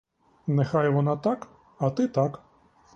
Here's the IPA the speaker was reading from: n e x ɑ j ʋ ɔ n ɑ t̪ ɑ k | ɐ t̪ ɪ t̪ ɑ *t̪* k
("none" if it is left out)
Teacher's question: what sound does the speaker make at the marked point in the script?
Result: none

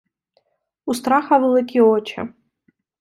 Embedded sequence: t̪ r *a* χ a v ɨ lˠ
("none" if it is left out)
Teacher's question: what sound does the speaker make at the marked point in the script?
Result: a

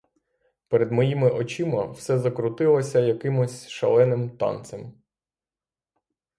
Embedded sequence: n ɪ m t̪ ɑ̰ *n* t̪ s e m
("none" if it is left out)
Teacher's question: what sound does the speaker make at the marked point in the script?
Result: n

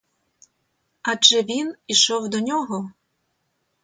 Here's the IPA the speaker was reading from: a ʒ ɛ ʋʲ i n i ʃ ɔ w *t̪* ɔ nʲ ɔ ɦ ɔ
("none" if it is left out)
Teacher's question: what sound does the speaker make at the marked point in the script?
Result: d̪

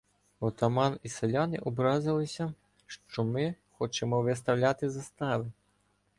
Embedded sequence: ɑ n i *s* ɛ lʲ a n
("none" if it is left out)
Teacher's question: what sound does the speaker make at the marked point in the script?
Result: s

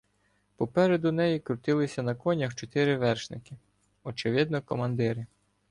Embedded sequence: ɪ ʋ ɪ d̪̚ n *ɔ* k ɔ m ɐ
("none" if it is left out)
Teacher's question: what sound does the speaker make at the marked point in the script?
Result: ɔ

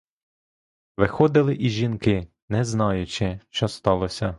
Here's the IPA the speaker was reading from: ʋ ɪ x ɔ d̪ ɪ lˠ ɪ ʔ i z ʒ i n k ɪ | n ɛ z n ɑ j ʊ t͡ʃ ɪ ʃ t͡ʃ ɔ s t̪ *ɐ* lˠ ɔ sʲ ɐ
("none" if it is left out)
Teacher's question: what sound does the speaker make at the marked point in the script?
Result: ɑ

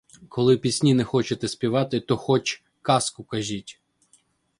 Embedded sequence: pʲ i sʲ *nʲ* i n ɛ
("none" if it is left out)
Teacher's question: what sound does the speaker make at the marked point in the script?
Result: nʲ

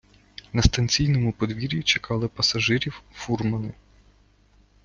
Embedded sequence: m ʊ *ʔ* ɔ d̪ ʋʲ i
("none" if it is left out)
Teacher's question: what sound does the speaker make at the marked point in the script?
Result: p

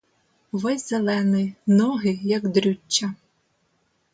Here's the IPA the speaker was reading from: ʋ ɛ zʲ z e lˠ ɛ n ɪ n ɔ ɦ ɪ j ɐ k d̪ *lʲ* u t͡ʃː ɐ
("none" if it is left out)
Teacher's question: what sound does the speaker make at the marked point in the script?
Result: ɾʲ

